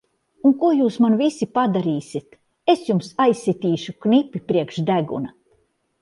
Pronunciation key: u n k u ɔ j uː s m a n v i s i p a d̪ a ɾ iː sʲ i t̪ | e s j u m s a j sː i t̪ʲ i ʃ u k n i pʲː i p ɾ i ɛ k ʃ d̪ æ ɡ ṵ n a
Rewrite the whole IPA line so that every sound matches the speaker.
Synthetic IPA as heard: u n k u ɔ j uː s m a n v i s i p a d̪ a ɾ iː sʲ i t̪ | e s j u m s a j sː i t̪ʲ iː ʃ u k n i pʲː i p ɾ i ɛ k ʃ d̪ æ ɡ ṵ n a